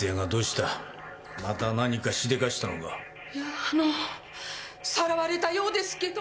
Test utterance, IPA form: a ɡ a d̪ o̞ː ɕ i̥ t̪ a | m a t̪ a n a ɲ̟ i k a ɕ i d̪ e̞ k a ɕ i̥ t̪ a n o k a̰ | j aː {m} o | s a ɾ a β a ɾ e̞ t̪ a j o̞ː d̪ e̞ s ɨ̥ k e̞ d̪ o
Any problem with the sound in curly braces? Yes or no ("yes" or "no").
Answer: yes